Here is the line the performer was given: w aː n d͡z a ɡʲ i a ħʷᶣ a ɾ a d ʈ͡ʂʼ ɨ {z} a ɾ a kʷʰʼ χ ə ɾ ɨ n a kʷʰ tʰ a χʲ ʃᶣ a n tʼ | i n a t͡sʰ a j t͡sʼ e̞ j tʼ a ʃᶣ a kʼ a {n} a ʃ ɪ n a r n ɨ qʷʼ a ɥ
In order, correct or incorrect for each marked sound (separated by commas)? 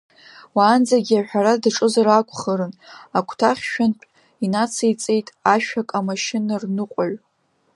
correct, incorrect